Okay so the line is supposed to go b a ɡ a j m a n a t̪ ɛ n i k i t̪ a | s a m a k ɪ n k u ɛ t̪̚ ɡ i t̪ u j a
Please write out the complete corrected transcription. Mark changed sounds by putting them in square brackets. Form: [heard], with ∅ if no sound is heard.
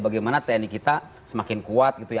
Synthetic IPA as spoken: b a ɡ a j m a n a t̪ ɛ n i k i t̪ a | s [ə] m a k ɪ n k u [a] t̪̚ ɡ i t̪ u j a